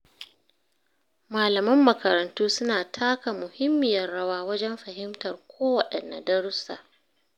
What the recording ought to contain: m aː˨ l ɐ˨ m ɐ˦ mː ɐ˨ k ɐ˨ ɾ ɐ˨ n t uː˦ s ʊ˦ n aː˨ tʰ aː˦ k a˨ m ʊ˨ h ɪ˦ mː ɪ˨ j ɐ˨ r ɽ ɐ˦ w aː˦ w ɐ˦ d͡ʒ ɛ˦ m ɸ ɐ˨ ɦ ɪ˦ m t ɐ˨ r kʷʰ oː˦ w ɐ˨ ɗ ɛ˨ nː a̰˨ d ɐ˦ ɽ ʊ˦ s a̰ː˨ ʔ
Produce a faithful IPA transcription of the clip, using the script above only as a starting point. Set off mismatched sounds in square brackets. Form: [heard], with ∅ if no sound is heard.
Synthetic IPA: m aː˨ l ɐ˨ m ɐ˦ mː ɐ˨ k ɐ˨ ɾ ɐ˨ n t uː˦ s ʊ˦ n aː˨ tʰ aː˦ k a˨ m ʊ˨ h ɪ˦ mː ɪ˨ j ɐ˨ r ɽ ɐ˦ w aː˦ w ɐ˦ d͡ʒ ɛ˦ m ɸ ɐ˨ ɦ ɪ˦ m t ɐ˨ r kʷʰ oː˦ w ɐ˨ ɗ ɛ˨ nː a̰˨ d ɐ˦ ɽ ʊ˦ s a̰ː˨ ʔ